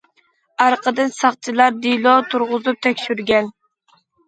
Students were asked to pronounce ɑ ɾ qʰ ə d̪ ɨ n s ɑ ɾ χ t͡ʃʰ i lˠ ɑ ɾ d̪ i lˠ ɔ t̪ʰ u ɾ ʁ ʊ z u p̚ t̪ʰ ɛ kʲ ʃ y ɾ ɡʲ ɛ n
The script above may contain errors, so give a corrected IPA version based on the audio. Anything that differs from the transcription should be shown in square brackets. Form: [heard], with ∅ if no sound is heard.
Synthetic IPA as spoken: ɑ ɾ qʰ ə d̪ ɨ n s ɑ [∅] χ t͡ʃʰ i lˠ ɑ ɾ d̪ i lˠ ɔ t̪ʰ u ɾ ʁ ʊ z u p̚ t̪ʰ ɛ kʲ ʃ y ɾ ɡʲ ɛ n